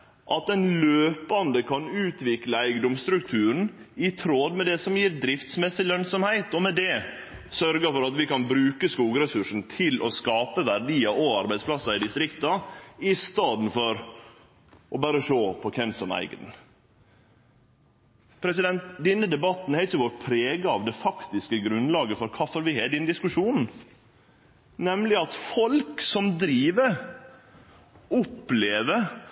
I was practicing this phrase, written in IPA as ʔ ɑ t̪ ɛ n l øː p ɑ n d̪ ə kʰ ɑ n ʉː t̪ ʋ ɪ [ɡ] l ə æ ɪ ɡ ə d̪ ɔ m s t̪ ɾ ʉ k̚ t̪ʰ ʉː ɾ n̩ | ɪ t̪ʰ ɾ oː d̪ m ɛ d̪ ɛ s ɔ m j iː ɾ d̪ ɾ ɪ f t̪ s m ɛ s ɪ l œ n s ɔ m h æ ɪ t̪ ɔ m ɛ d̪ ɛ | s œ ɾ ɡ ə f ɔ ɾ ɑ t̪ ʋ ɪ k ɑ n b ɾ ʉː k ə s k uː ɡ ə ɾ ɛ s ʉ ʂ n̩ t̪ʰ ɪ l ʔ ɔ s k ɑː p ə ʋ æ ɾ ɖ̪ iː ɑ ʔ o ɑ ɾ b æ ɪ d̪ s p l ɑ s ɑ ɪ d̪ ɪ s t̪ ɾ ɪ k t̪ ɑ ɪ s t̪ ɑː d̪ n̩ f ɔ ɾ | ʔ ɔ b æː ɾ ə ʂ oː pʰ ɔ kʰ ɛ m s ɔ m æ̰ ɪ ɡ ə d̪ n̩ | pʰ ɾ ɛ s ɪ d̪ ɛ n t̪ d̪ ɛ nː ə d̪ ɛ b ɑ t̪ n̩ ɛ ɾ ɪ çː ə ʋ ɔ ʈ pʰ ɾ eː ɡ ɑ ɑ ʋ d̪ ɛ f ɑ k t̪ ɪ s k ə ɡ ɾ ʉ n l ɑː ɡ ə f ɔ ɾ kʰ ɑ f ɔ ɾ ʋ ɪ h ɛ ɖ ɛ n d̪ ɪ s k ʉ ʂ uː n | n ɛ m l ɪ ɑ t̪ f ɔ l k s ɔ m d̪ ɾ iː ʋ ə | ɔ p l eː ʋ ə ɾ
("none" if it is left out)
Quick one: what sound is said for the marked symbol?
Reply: k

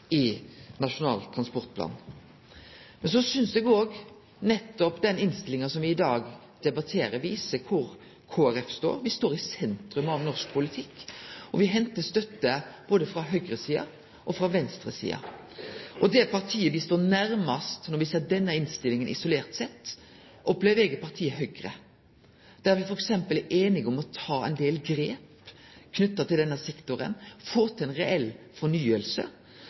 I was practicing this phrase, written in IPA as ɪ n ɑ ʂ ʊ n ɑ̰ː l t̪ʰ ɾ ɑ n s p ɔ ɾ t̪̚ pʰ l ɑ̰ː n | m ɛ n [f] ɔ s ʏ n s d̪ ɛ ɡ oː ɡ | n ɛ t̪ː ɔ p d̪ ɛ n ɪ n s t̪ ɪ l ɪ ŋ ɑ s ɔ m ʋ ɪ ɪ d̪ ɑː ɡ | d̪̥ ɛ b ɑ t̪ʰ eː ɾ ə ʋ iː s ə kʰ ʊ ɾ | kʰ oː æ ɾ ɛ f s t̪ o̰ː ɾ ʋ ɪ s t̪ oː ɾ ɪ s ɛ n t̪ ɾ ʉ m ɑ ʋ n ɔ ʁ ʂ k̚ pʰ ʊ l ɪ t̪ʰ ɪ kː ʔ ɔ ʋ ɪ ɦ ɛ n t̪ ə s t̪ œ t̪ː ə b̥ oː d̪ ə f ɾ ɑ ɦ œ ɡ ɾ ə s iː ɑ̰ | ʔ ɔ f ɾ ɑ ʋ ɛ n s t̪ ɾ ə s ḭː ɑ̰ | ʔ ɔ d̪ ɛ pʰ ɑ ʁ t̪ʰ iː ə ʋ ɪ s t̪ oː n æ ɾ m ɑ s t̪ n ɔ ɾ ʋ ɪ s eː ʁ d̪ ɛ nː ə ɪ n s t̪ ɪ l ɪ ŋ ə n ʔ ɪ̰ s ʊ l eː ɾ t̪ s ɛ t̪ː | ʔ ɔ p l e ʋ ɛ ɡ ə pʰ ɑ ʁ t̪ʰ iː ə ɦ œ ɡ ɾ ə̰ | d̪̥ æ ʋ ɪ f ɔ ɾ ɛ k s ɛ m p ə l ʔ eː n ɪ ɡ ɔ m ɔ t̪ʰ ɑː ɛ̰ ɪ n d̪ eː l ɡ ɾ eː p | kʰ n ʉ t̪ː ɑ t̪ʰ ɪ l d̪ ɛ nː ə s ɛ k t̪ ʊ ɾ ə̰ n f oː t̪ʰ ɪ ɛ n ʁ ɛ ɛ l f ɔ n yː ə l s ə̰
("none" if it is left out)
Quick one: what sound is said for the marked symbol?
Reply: s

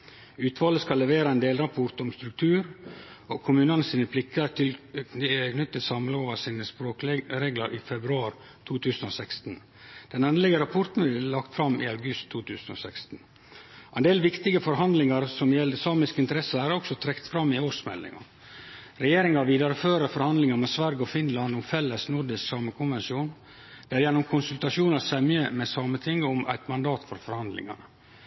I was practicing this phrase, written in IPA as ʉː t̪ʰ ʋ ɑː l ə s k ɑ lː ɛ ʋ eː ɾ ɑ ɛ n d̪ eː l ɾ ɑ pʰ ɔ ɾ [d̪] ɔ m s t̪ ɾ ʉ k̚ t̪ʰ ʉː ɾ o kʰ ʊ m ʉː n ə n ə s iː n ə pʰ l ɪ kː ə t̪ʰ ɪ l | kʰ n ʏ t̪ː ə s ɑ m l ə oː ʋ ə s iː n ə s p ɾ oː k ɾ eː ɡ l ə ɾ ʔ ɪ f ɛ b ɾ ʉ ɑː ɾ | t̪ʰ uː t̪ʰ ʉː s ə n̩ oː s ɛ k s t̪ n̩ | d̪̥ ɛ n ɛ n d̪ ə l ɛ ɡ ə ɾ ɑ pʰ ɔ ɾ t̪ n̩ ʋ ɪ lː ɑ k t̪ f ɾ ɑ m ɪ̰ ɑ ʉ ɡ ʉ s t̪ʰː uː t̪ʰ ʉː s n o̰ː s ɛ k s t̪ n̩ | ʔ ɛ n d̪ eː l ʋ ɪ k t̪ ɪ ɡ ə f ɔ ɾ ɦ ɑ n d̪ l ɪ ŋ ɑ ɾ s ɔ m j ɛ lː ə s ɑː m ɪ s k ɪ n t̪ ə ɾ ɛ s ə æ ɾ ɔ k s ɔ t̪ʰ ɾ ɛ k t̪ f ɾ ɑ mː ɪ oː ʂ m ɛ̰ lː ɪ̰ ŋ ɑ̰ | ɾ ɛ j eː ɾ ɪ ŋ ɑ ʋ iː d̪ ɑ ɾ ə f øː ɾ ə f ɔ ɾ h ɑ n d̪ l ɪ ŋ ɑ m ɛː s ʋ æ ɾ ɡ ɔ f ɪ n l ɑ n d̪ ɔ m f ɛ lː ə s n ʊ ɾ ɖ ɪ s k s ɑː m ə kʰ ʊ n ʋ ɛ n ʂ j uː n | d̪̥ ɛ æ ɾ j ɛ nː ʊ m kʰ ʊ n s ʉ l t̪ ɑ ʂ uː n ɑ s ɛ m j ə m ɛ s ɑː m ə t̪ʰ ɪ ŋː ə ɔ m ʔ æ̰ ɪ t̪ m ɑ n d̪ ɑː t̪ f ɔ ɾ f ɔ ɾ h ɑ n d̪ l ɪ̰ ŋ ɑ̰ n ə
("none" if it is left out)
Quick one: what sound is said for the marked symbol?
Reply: t̪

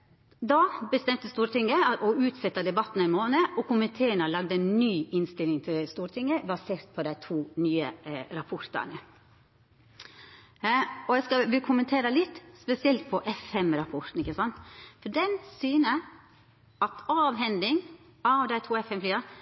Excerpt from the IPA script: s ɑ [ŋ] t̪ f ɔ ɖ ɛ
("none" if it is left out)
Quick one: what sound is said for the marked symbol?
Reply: n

